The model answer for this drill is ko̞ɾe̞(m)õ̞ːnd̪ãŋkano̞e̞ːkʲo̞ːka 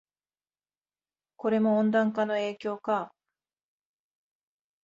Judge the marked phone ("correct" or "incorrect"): correct